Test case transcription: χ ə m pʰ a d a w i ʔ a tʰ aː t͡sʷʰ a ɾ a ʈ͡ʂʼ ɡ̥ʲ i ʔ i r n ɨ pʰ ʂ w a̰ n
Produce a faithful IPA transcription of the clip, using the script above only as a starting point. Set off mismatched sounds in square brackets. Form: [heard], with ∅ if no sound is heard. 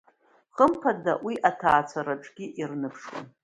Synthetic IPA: χ ə m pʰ a d a w i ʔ a tʰ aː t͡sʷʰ a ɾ a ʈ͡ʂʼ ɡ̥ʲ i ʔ i r n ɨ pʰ ʂ w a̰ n